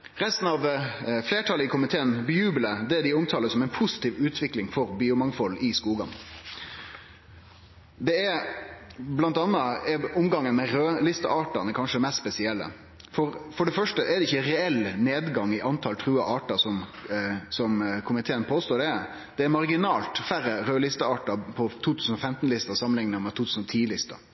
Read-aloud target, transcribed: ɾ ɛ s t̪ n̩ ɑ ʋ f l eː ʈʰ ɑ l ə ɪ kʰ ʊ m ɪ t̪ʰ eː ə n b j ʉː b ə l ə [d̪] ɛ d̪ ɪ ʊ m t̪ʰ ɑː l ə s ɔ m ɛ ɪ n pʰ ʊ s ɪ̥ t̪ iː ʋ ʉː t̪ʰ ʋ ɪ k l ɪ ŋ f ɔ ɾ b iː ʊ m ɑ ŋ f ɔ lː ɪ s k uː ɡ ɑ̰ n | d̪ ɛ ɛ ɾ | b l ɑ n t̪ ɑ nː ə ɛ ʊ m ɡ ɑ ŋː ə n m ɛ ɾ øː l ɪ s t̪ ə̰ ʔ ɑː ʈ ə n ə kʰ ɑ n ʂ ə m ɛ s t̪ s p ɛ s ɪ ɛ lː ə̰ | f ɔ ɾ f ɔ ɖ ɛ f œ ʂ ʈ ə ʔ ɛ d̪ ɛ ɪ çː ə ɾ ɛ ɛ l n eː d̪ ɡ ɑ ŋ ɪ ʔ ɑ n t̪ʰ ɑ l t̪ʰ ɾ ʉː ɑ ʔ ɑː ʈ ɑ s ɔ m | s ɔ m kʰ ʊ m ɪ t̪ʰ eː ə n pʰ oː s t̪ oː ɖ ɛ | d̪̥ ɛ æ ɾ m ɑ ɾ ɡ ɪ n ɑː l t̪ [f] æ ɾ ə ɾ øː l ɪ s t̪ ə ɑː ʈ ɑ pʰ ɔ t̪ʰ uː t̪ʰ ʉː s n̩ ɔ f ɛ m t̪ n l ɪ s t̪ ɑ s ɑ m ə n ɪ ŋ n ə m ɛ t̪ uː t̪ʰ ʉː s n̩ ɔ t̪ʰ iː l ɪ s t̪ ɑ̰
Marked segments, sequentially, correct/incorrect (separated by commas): correct, correct